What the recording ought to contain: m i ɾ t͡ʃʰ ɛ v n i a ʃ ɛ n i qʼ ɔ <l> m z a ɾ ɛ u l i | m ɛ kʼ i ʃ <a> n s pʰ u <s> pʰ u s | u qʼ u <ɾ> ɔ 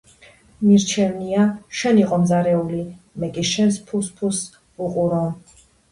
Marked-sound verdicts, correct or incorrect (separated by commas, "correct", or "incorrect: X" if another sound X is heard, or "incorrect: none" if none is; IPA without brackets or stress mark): incorrect: none, incorrect: ɛ, correct, correct